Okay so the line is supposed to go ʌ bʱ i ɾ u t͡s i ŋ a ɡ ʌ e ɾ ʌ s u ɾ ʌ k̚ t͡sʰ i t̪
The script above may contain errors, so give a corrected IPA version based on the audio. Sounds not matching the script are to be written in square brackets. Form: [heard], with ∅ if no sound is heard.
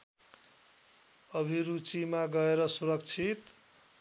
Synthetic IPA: ʌ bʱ i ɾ u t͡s i [m] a ɡ ʌ e ɾ ʌ s u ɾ ʌ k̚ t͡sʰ i t̪